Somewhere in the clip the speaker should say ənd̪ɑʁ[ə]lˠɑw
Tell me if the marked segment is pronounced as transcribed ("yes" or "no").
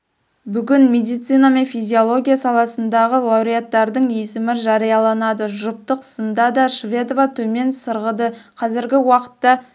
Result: yes